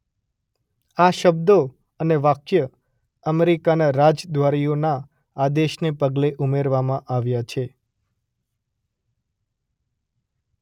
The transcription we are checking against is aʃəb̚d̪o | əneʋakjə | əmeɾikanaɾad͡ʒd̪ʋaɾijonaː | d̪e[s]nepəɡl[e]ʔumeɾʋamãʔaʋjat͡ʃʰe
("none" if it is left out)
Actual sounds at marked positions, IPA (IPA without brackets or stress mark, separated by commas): ʃ, e